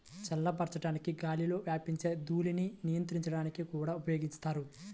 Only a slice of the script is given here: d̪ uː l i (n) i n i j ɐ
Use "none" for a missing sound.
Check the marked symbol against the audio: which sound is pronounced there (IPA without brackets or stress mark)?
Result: n